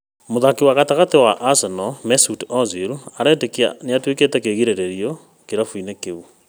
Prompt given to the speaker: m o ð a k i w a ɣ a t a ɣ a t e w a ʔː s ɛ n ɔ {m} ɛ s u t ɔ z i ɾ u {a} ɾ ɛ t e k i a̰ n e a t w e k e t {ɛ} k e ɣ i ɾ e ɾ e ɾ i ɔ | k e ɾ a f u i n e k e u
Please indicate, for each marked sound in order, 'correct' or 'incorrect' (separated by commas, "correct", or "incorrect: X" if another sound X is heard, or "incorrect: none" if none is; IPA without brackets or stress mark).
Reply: correct, correct, correct